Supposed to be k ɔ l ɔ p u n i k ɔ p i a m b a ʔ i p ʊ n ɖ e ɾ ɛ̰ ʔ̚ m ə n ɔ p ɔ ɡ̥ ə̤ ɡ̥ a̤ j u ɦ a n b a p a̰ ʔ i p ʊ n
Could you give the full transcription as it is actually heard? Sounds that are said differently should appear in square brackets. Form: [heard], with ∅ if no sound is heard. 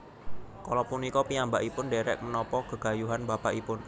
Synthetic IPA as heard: k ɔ l ɔ p u n i k ɔ p i a m b a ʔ i p ʊ n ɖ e ɾ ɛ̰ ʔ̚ m ə n ɔ p ɔ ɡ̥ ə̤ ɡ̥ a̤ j u ɦ a n b a p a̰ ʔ i p ʊ n